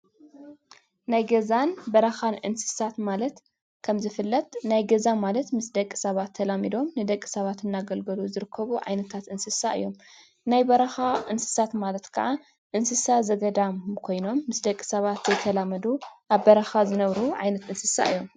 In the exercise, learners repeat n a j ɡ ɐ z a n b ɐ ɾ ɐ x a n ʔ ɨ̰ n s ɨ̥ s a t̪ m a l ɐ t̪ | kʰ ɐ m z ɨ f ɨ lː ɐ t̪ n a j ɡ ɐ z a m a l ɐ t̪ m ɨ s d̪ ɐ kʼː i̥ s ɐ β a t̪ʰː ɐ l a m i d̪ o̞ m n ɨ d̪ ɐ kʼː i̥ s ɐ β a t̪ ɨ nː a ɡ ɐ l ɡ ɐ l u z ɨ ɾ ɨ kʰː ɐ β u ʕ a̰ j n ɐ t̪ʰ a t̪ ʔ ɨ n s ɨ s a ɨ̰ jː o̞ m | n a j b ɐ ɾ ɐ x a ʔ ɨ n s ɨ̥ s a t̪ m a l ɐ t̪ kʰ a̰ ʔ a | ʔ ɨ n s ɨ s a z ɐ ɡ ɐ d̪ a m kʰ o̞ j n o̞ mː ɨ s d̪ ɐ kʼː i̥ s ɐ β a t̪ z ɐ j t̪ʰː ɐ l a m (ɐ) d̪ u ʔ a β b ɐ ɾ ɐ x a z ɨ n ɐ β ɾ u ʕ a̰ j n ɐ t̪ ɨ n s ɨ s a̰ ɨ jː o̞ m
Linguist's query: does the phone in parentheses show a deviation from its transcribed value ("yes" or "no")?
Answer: no